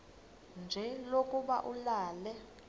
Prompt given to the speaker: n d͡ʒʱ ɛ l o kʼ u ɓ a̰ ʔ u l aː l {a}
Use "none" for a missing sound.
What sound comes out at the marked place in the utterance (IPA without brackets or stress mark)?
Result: ɛ